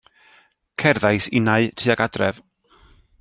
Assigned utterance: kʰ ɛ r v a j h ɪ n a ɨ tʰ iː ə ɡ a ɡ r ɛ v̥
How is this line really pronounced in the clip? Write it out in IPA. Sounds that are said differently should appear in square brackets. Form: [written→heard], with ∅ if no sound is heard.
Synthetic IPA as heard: kʰ ɛ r [v→ð] a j [h→s] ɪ n a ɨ tʰ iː [ə→a] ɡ a [ɡ→d] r ɛ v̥